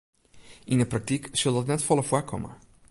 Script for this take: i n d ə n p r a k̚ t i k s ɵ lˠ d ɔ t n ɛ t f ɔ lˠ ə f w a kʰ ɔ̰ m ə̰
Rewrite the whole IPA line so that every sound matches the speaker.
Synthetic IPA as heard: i n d ə p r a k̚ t i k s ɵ lˠ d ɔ t n ɛ t f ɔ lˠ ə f w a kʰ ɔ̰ m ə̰